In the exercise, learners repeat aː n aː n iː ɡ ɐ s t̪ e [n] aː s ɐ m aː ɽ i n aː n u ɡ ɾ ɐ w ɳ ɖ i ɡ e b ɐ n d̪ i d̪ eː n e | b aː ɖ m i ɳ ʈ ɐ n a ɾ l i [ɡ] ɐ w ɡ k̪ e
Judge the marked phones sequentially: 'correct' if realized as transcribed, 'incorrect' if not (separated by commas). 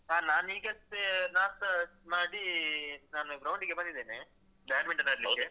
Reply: correct, incorrect